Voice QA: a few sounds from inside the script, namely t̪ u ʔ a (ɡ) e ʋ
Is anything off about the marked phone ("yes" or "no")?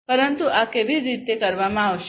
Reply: yes